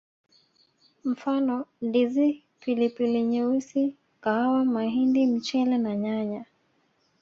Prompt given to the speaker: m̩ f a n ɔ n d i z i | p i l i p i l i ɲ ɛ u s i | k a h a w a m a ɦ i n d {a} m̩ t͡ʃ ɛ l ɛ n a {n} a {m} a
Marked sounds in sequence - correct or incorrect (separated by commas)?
incorrect, incorrect, incorrect